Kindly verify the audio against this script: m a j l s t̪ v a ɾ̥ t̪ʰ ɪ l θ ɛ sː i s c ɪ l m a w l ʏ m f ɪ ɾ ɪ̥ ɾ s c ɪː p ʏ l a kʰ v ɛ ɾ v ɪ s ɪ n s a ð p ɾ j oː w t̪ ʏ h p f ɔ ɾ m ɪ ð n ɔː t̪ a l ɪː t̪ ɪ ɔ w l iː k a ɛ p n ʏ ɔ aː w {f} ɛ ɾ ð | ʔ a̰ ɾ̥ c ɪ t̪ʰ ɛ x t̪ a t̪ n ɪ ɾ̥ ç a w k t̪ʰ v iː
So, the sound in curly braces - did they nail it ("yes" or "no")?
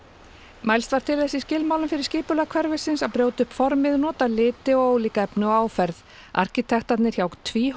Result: yes